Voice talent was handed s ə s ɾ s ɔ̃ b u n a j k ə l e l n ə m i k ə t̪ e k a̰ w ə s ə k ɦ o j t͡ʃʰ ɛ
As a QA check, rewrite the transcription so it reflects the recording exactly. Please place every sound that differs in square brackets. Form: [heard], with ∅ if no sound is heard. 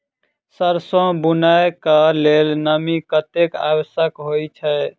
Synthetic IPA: s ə [∅] ɾ s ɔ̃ b u n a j k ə l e l n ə m i k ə t̪ e k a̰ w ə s ə k ɦ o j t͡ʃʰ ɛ